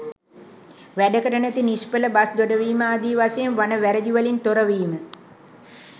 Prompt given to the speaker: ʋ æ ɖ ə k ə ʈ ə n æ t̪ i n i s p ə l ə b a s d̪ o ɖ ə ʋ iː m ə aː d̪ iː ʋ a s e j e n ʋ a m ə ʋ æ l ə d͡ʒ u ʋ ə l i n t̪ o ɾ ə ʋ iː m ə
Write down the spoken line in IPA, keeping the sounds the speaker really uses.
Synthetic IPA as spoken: ʋ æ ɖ ə k ə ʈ ə n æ t̪ i n i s p ə l ə b a s d̪ o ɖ ə ʋ iː m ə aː d̪ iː ʋ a s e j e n ʋ a n ə ʋ æ ɾ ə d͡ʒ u ʋ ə l i n t̪ o ɾ ə ʋ iː m ə